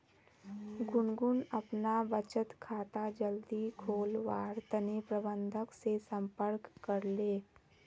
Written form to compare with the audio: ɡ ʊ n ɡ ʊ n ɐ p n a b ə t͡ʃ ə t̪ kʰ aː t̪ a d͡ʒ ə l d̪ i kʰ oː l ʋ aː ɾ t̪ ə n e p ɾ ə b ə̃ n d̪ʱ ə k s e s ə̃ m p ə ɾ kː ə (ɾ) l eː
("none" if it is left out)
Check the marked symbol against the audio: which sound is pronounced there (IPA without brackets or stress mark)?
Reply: ɾ